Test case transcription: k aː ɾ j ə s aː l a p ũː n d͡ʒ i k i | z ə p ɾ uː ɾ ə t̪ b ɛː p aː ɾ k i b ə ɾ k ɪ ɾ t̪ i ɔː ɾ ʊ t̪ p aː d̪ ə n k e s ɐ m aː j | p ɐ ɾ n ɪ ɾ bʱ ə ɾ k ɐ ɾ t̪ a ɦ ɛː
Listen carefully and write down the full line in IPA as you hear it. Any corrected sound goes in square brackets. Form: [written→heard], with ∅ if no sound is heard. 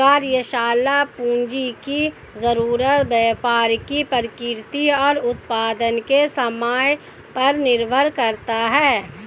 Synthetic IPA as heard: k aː ɾ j ə [s→ʃ] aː l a p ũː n d͡ʒ i k i | z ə [p→∅] ɾ uː ɾ ə t̪ b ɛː p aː ɾ k i [b→p] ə ɾ k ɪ ɾ t̪ i ɔː ɾ ʊ t̪ p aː d̪ ə n k e s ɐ m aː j | p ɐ ɾ n ɪ ɾ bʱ ə ɾ k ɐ ɾ t̪ a ɦ ɛː